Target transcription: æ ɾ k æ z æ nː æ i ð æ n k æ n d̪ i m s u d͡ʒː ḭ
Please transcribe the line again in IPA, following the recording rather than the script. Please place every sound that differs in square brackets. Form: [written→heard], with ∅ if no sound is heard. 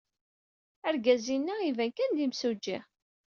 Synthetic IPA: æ ɾ [k→ɡ] æ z [æ→i] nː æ i [ð→v] æ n k æ n d̪ i m s u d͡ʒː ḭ